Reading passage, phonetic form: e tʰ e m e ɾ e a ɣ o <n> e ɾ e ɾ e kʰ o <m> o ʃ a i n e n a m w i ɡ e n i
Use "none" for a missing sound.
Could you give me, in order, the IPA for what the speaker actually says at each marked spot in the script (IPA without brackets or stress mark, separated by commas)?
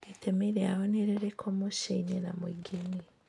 n, m